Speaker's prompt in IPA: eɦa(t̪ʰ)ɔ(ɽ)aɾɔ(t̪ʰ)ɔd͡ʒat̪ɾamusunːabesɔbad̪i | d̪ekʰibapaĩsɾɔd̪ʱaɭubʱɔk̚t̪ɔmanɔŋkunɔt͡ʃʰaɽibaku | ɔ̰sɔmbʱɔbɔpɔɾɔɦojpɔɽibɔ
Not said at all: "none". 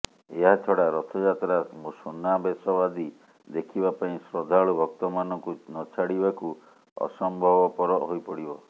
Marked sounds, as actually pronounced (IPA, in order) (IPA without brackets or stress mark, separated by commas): t̪ʰ, ɽ, t̪ʰ